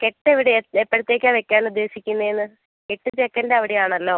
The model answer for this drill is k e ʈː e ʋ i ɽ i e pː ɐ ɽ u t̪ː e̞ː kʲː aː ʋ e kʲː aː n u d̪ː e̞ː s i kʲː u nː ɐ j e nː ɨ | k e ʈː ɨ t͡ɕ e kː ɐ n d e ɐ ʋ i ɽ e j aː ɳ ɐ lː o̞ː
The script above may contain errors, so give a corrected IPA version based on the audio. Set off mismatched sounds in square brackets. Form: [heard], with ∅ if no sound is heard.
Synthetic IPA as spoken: k e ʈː e ʋ i ɽ [e] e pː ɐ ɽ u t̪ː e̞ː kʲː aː ʋ e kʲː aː n u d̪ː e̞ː s i kʲː u nː ɐ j e nː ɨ | k e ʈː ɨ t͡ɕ e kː ɐ n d e ɐ ʋ i ɽ e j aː ɳ ɐ lː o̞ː